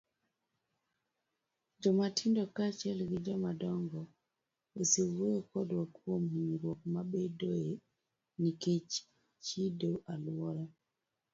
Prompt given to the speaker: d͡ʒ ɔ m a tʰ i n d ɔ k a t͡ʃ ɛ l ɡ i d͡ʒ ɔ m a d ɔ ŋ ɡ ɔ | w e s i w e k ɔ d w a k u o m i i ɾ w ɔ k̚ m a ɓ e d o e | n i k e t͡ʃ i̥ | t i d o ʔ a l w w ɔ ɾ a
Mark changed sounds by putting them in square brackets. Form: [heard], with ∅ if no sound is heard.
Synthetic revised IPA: d͡ʒ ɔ m a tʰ i n d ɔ k a t͡ʃ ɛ l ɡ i d͡ʒ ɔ m a d ɔ ŋ ɡ ɔ | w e s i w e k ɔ d w a k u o m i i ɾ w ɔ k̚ m a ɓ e d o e | n i k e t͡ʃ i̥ | [t͡ʃ] i d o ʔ a l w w ɔ ɾ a